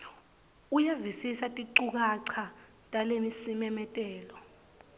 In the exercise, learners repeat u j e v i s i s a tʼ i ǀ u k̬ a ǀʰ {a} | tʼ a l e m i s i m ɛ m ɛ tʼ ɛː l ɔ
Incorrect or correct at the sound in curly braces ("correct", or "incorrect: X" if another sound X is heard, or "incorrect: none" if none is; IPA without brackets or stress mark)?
correct